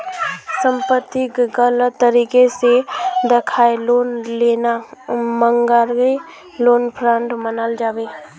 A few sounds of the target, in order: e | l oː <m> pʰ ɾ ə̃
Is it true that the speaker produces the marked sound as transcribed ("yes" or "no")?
no